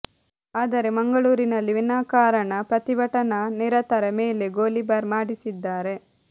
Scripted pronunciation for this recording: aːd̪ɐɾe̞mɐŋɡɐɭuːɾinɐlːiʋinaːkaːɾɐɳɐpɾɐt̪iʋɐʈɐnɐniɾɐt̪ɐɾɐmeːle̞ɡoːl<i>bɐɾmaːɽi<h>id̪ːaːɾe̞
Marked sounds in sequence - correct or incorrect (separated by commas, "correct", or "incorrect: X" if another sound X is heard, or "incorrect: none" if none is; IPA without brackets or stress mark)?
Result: correct, incorrect: s